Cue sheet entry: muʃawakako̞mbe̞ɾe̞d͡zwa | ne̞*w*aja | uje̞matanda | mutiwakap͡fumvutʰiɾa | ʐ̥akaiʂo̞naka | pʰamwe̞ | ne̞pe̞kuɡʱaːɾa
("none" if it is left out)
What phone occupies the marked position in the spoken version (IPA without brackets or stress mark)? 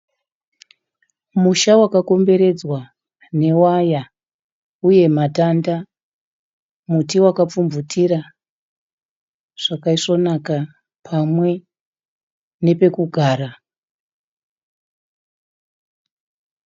w